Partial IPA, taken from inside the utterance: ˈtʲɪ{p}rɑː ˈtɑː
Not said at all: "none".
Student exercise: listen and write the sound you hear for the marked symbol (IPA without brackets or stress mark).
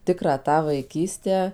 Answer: k